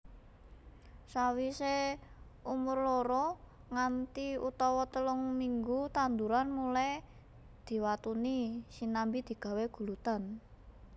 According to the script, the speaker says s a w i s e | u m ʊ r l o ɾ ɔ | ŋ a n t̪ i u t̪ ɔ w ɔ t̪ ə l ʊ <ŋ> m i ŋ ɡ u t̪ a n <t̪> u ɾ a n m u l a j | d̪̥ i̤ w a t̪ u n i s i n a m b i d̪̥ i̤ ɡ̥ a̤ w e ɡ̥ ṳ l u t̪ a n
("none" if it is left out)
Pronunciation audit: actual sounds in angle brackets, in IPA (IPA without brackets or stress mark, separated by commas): ŋ, d̪